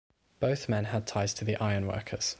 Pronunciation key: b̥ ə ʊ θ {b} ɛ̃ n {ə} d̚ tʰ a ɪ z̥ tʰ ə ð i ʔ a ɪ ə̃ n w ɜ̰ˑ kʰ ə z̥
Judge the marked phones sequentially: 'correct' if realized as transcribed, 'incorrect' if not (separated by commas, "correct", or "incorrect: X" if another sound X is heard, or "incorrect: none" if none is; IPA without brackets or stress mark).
incorrect: m, correct